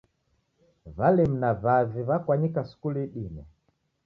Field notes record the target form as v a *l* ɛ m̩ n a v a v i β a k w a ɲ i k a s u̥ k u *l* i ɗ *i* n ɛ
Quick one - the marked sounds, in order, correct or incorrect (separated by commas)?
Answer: correct, correct, correct